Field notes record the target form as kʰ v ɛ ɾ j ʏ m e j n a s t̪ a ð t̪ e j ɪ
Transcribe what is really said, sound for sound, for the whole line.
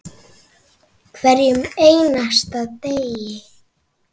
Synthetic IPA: kʰ v ɛ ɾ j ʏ m e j n a s t̪ a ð t̪ e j ɪ